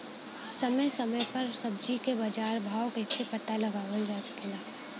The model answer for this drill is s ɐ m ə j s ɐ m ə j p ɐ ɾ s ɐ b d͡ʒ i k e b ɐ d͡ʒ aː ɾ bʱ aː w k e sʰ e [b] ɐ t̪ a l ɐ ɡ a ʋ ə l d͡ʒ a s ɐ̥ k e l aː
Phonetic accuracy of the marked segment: incorrect: p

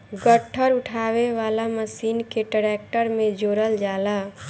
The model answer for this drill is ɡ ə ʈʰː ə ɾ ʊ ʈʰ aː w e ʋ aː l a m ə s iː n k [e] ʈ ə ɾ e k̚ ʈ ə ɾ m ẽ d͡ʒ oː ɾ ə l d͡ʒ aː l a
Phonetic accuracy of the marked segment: correct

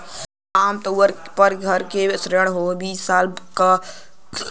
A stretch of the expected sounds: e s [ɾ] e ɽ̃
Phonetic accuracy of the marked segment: correct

